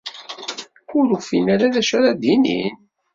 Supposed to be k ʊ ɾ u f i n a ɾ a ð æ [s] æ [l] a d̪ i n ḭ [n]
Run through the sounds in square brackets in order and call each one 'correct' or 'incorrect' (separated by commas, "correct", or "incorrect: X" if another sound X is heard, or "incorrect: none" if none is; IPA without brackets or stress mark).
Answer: incorrect: ʃ, incorrect: ɾ, correct